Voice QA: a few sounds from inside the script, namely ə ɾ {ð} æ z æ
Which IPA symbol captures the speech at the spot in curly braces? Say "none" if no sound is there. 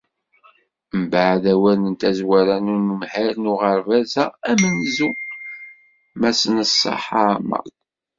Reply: v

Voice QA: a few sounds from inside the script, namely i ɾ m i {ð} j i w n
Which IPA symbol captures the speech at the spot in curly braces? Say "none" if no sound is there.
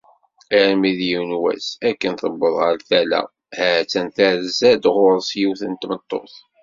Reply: ð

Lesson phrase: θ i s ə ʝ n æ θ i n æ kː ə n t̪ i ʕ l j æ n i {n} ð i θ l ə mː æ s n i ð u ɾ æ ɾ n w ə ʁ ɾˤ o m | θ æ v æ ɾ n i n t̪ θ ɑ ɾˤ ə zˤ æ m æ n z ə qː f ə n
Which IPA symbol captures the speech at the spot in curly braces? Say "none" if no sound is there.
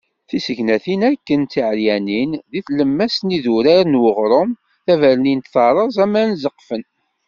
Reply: n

